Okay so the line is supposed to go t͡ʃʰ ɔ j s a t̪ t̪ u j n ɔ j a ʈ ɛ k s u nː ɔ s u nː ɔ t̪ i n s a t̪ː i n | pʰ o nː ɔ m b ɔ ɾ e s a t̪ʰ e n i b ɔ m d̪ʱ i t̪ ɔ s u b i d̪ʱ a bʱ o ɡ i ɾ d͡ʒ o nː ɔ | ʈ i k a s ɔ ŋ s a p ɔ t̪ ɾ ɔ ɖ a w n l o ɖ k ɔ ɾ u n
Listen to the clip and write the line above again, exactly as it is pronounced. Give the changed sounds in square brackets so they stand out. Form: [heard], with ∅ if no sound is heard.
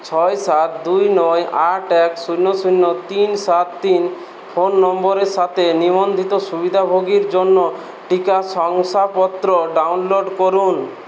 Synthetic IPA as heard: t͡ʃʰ ɔ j s a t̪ [d̪] u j n ɔ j a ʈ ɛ k s u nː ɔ s u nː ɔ t̪ i n s a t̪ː i n | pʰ o nː ɔ m b ɔ ɾ e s a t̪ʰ e n i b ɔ [n] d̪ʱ i t̪ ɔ s u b i d̪ʱ a bʱ o ɡ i ɾ d͡ʒ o nː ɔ | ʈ i k a s ɔ ŋ s a p ɔ t̪ ɾ ɔ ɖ a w n l o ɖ k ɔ ɾ u n

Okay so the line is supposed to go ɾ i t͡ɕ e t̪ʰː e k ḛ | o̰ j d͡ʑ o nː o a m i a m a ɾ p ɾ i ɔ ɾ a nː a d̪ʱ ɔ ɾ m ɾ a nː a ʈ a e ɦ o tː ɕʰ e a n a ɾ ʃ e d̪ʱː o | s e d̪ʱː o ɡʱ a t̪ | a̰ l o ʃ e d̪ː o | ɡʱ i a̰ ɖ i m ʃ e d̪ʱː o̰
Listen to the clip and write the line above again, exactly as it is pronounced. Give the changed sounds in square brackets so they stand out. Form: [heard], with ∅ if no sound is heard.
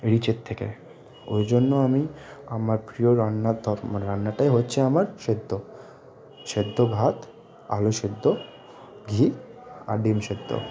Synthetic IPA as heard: ɾ i t͡ɕ e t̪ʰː e k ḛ | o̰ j d͡ʑ o nː o a m i a m a ɾ p ɾ i [o] ɾ a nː a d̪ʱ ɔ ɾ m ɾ a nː a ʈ a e ɦ o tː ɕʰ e a [m] a ɾ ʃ e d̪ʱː o | [ʃ] e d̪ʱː o ɡʱ a t̪ | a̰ l o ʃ e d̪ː o | ɡʱ i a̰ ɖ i m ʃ e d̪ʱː o̰

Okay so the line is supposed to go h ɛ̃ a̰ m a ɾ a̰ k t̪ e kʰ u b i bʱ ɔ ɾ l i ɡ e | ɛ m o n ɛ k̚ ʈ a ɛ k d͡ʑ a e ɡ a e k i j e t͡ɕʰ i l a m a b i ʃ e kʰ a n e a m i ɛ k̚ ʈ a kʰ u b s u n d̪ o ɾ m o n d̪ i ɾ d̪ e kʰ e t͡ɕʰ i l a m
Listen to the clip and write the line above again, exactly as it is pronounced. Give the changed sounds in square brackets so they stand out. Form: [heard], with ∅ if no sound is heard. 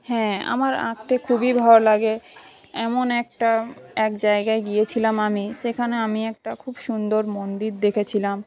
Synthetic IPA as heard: h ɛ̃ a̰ m a ɾ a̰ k t̪ e kʰ u b i bʱ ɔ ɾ l [a] ɡ e | ɛ m o n ɛ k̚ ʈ a ɛ k d͡ʑ a e ɡ a e [ɡ] i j e t͡ɕʰ i l a m a [m] i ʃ e kʰ a n e a m i ɛ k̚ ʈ a kʰ u b [ʃ] u n d̪ o ɾ m o n d̪ i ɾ d̪ e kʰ e t͡ɕʰ i l a m

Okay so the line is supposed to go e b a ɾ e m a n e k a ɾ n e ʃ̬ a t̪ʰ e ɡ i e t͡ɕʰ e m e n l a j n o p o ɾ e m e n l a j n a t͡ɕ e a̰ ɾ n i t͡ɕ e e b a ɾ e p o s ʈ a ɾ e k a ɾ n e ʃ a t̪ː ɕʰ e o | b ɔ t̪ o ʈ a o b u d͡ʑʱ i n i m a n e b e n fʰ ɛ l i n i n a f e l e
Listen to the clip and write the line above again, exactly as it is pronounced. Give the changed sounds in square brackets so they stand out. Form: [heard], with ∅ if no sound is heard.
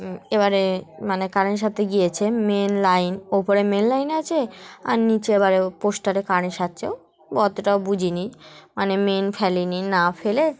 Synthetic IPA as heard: e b a ɾ e m a n e k a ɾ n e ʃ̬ a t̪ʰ e ɡ i e t͡ɕʰ e m e n l a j n o p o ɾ e m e n l a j n a [t͡ɕʰ] e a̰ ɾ n i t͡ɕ e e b a ɾ e p o s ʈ a ɾ e k a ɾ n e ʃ a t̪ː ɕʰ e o | b ɔ t̪ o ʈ a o b u d͡ʑʱ i n i m a n e [m] e n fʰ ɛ l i n i n a f e l e

